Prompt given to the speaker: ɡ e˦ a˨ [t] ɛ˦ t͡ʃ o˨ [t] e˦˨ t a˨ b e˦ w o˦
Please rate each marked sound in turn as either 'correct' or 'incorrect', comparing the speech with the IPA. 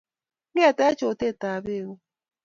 correct, correct

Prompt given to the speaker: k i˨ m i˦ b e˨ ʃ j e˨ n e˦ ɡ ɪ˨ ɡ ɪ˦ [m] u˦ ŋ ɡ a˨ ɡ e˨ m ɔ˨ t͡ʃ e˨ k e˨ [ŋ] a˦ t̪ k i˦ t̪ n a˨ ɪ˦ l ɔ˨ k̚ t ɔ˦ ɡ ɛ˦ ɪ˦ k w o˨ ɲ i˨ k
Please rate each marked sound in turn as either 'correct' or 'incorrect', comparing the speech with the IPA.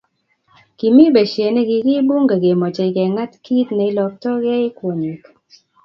incorrect: b, correct

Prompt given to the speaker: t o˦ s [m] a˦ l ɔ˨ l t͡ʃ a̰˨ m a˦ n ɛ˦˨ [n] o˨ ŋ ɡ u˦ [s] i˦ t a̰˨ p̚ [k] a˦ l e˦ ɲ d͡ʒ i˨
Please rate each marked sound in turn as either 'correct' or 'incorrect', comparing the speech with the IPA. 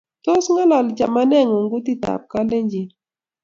incorrect: ŋ, incorrect: ŋ, incorrect: t, correct

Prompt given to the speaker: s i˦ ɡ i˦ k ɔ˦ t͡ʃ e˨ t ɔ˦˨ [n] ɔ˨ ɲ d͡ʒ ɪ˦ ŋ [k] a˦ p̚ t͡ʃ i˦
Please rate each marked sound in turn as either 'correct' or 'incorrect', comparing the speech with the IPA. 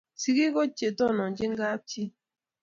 correct, incorrect: ɡ

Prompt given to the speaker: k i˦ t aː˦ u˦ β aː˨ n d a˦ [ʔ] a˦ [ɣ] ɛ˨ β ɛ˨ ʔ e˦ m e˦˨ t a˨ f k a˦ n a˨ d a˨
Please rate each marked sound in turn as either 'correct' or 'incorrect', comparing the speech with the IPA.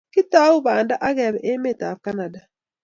correct, correct

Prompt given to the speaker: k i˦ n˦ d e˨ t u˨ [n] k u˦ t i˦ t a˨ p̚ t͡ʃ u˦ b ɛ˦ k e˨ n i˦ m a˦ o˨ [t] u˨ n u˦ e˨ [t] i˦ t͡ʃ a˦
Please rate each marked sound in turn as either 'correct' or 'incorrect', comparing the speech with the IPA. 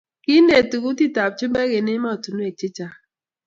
incorrect: none, correct, incorrect: t͡ʃ

